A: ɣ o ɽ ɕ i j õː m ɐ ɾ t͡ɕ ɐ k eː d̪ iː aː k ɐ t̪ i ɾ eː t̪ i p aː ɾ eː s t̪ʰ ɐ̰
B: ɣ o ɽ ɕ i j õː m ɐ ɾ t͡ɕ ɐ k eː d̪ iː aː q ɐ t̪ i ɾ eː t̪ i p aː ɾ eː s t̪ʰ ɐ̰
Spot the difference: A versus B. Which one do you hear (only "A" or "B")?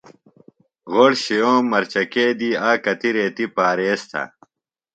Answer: A